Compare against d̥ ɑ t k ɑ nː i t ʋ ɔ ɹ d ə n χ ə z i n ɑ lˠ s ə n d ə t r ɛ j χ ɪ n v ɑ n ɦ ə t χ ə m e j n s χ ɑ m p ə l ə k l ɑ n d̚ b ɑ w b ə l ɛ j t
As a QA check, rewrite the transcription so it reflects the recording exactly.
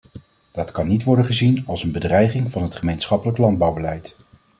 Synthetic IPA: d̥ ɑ t k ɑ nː i t ʋ ɔ ɹ d ə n χ ə z i n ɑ lˠ s ə n b ə d r ɛ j χ ɪ ŋ v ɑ n ɦ ə t χ ə m e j n s χ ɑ p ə l ə k l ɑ n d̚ b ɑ w b ə l ɛ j t